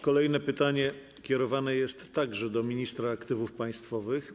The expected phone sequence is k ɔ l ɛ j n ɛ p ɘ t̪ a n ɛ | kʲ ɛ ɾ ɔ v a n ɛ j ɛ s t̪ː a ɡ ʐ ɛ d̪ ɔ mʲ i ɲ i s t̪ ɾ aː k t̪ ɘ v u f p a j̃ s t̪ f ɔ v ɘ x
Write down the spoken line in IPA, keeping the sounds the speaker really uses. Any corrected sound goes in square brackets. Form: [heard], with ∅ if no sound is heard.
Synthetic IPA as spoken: k ɔ l ɛ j n ɛ p ɘ t̪ a [ɲ] ɛ | kʲ ɛ ɾ ɔ v a n ɛ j ɛ s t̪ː a ɡ ʐ ɛ d̪ ɔ mʲ i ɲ i s t̪ ɾ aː k t̪ ɘ v u f p a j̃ s t̪ f ɔ v ɘ x

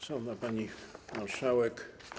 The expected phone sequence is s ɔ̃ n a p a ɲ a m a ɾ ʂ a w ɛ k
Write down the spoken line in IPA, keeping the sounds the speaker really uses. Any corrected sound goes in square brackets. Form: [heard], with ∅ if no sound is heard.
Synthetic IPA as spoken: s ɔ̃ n a p a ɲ [i] m a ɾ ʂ a w ɛ k

